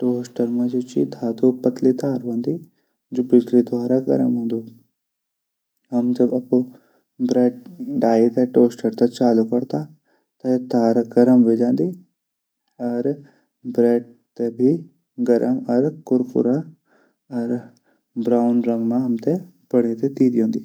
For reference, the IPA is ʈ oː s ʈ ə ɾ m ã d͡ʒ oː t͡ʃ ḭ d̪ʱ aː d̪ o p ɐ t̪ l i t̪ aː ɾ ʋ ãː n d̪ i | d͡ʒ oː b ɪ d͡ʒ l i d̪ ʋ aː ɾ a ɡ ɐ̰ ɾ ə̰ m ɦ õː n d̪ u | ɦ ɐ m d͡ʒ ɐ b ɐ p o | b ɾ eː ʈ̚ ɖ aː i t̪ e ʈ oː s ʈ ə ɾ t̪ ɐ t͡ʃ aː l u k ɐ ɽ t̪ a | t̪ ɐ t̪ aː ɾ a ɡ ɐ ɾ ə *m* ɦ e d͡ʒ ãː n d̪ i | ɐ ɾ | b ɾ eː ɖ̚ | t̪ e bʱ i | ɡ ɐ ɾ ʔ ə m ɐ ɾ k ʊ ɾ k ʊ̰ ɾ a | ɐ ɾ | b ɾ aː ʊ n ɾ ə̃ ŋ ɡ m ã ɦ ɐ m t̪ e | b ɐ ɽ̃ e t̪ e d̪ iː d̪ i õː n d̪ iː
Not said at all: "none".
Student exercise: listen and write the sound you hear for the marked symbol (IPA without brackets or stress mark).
m